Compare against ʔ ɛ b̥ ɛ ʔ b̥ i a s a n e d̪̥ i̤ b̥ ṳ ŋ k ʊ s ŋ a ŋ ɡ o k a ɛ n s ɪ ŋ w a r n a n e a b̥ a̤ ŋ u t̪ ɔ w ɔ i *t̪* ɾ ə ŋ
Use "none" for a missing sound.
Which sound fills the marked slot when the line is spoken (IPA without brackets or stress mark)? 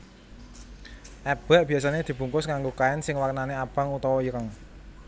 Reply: none